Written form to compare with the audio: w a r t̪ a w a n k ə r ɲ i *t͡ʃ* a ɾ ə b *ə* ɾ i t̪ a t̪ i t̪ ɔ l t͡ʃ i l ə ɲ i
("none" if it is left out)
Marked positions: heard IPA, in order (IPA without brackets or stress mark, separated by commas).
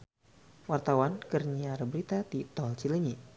none, ə